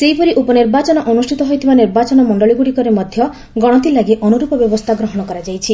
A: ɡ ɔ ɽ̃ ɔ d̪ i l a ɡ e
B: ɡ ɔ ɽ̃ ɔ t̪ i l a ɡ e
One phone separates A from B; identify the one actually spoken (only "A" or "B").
B